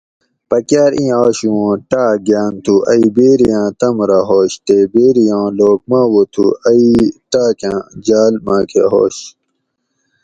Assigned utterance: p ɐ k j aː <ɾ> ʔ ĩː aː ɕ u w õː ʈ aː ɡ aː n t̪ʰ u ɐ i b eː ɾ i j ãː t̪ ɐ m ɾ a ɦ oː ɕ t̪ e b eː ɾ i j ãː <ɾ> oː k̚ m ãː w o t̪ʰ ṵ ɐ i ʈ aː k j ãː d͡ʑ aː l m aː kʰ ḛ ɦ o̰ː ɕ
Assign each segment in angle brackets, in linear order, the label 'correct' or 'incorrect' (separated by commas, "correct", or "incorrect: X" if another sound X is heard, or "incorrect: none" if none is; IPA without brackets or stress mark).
correct, incorrect: l